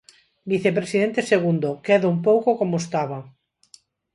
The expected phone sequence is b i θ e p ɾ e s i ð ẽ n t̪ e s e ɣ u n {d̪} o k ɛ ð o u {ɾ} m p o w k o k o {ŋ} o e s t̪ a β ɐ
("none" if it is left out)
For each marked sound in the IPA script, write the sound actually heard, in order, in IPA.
d̪, none, m

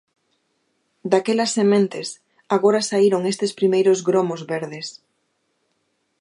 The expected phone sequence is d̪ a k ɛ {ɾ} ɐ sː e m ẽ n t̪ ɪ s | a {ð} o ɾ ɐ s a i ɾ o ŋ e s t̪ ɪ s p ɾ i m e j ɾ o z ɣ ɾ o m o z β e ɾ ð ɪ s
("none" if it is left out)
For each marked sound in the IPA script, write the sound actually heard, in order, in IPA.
l, ɣ

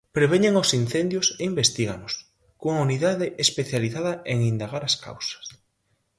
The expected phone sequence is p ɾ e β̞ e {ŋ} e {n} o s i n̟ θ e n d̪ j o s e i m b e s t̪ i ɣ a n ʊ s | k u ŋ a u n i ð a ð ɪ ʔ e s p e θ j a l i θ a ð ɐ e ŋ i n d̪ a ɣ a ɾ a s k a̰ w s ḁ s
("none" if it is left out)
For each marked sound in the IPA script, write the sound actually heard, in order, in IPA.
ɲ, ŋ

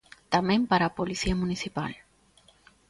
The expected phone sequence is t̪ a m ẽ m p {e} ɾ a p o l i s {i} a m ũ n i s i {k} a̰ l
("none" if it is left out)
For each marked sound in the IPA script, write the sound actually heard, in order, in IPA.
a, i, p

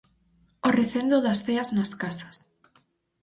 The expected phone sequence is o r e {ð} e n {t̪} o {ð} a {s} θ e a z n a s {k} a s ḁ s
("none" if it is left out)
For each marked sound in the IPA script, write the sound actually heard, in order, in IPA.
θ, d̪, ð, s, k

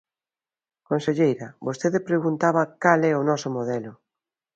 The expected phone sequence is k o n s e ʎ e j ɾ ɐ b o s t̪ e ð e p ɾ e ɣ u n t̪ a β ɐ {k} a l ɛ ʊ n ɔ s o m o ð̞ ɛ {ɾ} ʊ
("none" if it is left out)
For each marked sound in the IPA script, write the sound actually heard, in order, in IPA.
k, l

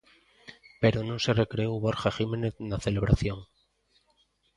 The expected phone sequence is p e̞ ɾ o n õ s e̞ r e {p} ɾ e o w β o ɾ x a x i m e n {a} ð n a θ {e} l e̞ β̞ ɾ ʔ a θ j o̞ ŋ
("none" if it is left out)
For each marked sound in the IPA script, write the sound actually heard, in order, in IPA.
k, e, e

